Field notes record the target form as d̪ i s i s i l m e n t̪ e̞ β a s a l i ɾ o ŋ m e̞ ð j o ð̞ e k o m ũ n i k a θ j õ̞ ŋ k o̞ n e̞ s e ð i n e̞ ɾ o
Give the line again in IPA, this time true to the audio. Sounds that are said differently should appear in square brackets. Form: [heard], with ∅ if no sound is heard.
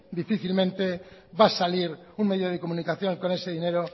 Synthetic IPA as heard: d̪ i [f] i [θ] i l m [ẽ] n t̪ e̞ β a s a l i ɾ [u] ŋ m e̞ ð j o ð̞ e k o m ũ n i k a θ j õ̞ ŋ k o̞ n e̞ s e ð i n e̞ ɾ o